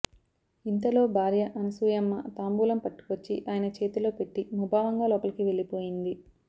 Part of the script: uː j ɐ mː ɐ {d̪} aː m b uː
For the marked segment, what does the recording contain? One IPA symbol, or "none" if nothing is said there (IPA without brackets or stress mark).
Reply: t̪